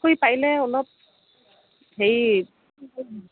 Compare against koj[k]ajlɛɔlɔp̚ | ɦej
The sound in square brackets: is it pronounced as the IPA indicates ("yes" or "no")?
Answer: no